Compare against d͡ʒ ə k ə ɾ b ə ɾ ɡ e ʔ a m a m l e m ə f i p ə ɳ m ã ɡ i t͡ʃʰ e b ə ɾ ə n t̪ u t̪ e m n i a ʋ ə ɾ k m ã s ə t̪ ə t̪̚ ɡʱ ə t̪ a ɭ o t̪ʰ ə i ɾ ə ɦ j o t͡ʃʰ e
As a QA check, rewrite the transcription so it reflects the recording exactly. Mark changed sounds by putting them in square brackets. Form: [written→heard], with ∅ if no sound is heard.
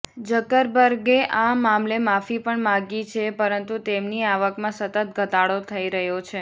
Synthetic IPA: d͡ʒ ə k ə ɾ b ə ɾ ɡ e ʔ a m a m l e m [ə→a] f i p ə ɳ m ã ɡ i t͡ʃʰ e [b→p] ə ɾ ə n t̪ u t̪ e m n i a ʋ ə [ɾ→∅] k m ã s ə t̪ ə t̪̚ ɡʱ ə t̪ a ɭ o t̪ʰ ə i ɾ ə ɦ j o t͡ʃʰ e

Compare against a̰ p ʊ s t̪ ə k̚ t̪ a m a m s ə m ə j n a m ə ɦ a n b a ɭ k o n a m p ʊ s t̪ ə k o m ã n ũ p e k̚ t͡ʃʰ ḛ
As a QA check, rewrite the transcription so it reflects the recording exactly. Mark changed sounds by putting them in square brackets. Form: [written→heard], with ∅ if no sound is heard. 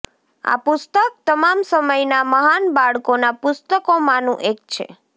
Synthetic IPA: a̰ p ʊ s t̪ ə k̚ t̪ [a→ə] m a m s ə m ə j n a m ə ɦ a n b a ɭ k o n a [m→∅] p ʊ s t̪ ə k o m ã n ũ [p→ʔ] e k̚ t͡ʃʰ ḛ

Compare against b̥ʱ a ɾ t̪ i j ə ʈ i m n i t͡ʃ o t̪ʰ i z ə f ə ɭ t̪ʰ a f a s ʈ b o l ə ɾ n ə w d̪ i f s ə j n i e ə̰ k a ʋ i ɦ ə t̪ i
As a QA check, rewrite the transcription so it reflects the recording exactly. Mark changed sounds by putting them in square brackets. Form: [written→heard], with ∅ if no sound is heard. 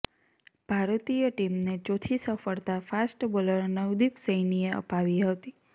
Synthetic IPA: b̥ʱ a ɾ t̪ i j ə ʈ i m n [i→e] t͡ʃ o t̪ʰ i [z→s] ə f ə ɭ [t̪ʰ→t̪] a f a s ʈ b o l ə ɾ n ə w d̪ i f s ə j n i e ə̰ [k→p] a ʋ i ɦ ə t̪ i

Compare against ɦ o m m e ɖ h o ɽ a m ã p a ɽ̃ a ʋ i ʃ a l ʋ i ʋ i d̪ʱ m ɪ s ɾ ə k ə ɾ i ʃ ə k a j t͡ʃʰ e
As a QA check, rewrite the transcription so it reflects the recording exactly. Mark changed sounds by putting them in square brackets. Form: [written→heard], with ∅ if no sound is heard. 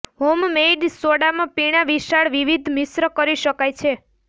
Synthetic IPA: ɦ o m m e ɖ [h→s] o ɽ a m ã p [a→i] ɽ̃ a ʋ i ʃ a [l→ɭ] ʋ i ʋ i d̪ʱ m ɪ s ɾ ə k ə ɾ i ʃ ə k a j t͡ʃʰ e

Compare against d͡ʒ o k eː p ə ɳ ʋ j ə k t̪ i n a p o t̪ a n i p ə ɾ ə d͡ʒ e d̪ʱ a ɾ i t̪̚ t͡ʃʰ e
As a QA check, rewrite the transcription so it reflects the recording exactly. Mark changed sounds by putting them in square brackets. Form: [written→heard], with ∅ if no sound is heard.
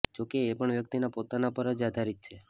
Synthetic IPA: d͡ʒ o k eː p ə ɳ ʋ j ə k t̪ i n a p o t̪ a n [i→a] p ə ɾ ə d͡ʒ [e→a] d̪ʱ a ɾ i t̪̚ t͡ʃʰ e

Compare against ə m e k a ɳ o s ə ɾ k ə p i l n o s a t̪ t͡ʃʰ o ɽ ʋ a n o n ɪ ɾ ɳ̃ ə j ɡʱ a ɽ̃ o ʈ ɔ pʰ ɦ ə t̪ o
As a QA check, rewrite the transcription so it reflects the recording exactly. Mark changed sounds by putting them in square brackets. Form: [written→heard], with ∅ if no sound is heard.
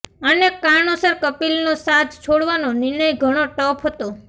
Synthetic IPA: ə [m→n] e k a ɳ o s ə ɾ k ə p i l n o s a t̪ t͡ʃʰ o ɽ ʋ a n o n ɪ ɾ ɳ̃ ə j ɡʱ [a→ə] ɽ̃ o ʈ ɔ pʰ ɦ ə t̪ o

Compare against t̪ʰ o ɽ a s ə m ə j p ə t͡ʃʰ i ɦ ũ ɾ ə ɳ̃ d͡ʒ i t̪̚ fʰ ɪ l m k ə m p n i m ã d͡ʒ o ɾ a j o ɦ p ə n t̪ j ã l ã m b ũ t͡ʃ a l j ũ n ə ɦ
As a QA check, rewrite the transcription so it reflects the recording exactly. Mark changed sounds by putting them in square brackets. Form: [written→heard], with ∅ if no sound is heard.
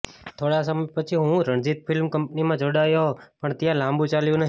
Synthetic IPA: t̪ʰ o ɽ a s ə m ə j p ə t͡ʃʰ i ɦ ũ ɾ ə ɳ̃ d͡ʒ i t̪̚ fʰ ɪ l m k ə m p n i m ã d͡ʒ o [ɾ→ɽ] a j o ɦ p ə [n→ɳ] t̪ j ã l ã m b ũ t͡ʃ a l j ũ n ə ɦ

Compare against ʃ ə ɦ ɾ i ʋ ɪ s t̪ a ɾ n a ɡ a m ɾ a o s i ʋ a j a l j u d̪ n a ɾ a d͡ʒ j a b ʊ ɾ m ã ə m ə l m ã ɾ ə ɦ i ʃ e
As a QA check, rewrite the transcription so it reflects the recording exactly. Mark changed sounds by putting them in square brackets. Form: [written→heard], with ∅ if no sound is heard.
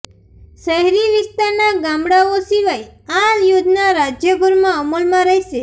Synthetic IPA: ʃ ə ɦ ɾ i ʋ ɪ s t̪ a ɾ n a ɡ a m [ɾ→ɽ] a o s i ʋ a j a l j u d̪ n a ɾ a d͡ʒ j [a→ə] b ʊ ɾ m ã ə m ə l m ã ɾ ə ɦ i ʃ e

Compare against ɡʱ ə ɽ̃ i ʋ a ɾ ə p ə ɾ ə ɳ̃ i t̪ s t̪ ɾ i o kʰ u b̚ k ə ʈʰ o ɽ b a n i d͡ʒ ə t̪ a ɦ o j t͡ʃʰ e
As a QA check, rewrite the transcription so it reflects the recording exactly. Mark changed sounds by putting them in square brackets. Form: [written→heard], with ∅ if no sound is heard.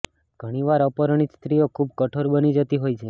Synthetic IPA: ɡʱ ə ɽ̃ i ʋ a ɾ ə p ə ɾ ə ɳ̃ i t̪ s t̪ ɾ i o kʰ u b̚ k ə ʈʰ o [ɽ→ɾ] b [a→ə] n i d͡ʒ ə t̪ [a→i] ɦ o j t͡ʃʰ e

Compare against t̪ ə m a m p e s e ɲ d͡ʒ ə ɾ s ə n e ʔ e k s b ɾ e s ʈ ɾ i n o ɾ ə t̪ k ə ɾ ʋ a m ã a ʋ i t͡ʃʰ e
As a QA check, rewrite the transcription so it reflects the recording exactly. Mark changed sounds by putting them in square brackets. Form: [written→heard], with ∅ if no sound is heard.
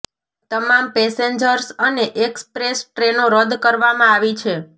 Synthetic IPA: t̪ ə m a m p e s e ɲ d͡ʒ ə ɾ s ə n e ʔ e k s [b→p] ɾ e s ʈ ɾ [i→e] n o ɾ ə [t̪→d̪] k ə ɾ ʋ a m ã a ʋ i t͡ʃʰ e

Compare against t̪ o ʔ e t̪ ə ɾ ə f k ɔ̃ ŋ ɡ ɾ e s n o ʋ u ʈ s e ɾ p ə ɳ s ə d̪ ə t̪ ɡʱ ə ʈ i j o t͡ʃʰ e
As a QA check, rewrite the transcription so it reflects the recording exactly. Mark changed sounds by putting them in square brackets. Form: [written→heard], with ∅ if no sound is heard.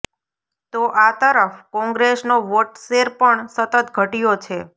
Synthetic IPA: t̪ o ʔ [e→a] t̪ ə ɾ ə f k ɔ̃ ŋ ɡ ɾ e s n o ʋ [u→o] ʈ s e ɾ p ə ɳ s ə [d̪→t̪] ə t̪ ɡʱ ə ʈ i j o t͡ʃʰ e

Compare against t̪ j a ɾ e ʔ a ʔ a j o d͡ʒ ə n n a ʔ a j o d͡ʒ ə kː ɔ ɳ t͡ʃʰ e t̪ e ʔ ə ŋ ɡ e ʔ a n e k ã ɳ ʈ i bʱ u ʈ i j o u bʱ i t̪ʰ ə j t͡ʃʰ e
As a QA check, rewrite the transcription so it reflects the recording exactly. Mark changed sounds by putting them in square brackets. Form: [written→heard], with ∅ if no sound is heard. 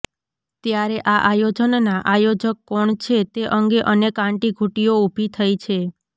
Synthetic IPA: t̪ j a ɾ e ʔ a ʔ a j o d͡ʒ ə n n a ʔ a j o d͡ʒ ə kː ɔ ɳ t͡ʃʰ e t̪ e ʔ ə ŋ ɡ e ʔ [a→ə] n e k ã ɳ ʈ i [bʱ→ɡʱ] u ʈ i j o u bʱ i t̪ʰ ə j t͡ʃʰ e

